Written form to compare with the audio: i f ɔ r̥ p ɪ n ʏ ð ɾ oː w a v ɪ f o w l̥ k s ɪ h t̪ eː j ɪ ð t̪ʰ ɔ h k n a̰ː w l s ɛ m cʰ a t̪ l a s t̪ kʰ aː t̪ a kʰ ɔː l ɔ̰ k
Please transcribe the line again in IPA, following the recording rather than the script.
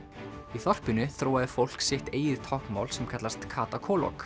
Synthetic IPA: i θ ɔ r̥ p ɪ n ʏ θ ɾ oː w a ð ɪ f o w l̥ k s ɪ h t̪ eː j ɪ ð t̪ʰ ɔ h k m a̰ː w l s ɛ m kʰ a t̪ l a s t̪ kʰ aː t̪ a kʰ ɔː l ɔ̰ k